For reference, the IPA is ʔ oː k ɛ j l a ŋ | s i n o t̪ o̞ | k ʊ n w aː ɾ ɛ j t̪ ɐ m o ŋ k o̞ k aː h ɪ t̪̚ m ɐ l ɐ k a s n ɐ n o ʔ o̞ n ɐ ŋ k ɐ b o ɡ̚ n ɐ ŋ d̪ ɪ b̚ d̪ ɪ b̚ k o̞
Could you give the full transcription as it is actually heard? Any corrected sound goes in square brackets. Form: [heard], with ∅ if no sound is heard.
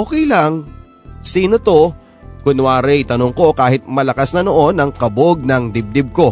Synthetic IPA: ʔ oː k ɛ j l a ŋ | s [iː] n o t̪ o̞ | k ʊ n w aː ɾ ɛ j t̪ ɐ [n] o ŋ k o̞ k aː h ɪ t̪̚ m ɐ l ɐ k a s n ɐ n o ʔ o̞ n ɐ ŋ k ɐ b o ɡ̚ n ɐ ŋ d̪ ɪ b̚ d̪ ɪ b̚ k o̞